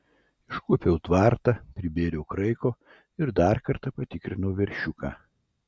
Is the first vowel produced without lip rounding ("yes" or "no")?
yes